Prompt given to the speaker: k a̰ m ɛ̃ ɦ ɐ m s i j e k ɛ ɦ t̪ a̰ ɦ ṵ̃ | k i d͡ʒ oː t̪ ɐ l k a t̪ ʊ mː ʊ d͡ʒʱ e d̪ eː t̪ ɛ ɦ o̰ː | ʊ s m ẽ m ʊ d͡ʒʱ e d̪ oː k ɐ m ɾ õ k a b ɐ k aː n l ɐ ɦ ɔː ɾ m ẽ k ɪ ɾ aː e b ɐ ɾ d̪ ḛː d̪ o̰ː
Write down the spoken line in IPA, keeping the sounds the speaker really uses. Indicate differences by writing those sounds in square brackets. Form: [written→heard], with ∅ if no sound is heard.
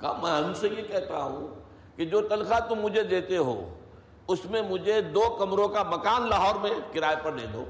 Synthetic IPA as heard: k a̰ m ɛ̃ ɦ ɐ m s [i→e] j e k ɛ ɦ t̪ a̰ ɦ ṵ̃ | k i d͡ʒ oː t̪ ɐ l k a t̪ ʊ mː ʊ d͡ʒʱ e d̪ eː t̪ [ɛ→e] ɦ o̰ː | ʊ s m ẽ m ʊ d͡ʒʱ e d̪ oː k ɐ m ɾ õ k a [b→m] ɐ k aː n l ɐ ɦ ɔː ɾ m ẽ k ɪ ɾ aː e [b→p] ɐ ɾ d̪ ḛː d̪ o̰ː